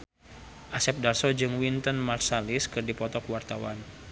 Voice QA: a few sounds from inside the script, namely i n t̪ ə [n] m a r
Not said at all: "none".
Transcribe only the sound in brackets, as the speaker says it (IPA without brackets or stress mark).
n